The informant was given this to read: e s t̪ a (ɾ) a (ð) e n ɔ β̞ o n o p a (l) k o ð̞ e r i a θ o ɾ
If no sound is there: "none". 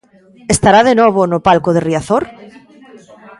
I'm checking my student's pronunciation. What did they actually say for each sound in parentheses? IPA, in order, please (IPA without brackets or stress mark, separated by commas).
ɾ, ð, l